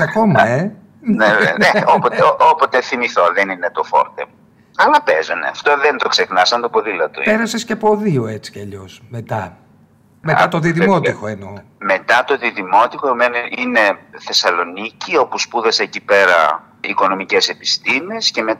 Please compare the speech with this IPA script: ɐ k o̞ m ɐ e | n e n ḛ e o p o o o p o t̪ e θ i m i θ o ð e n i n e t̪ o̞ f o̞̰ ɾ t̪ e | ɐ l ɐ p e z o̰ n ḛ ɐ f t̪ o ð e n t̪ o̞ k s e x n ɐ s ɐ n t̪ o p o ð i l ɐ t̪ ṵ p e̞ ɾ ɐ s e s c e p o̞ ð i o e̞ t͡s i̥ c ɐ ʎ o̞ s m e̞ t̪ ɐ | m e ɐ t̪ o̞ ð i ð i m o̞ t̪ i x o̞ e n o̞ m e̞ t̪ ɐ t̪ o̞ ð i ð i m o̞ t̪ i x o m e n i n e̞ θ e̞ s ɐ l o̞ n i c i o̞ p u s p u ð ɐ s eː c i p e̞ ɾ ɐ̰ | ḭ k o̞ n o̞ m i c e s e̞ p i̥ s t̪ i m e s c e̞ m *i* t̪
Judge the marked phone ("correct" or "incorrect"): incorrect